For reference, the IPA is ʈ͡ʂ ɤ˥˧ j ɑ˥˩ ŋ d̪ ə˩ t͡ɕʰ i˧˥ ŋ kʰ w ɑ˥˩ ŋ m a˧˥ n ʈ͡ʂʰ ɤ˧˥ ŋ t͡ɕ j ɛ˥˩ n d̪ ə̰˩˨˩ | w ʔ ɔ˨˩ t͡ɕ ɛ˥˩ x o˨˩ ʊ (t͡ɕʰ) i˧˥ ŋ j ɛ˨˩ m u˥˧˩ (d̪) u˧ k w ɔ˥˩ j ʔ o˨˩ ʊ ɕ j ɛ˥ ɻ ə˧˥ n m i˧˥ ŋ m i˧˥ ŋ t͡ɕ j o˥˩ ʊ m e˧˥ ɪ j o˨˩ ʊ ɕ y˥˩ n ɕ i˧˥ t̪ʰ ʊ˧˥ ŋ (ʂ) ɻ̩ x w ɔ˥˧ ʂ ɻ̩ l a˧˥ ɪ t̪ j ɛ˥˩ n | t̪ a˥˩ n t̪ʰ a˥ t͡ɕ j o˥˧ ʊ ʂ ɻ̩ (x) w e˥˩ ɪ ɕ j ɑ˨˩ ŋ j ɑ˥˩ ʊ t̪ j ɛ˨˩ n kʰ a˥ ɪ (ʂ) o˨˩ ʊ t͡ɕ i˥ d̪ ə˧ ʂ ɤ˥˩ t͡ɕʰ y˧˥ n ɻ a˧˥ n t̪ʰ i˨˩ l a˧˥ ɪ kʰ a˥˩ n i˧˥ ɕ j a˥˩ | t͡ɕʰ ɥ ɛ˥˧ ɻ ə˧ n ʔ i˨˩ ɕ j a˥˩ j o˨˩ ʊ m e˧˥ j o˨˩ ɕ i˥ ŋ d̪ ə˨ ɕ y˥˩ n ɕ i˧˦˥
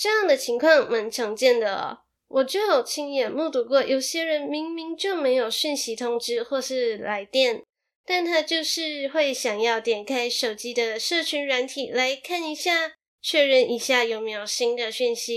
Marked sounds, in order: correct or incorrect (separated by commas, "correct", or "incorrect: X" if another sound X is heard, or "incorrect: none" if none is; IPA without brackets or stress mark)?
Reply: correct, incorrect: t̪, incorrect: ʈ͡ʂ, correct, correct